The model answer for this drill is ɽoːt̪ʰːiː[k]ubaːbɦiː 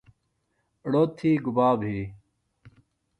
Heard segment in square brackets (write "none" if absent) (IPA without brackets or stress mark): ɡ